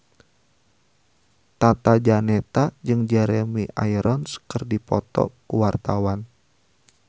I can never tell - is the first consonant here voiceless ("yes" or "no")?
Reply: yes